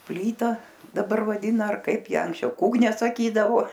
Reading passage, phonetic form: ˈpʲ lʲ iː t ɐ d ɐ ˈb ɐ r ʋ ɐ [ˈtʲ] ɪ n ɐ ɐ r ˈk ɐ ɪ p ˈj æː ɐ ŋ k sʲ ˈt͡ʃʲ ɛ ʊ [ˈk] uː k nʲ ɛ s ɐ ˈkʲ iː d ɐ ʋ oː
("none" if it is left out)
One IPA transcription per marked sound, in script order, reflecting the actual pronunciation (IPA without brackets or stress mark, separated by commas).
dʲ, k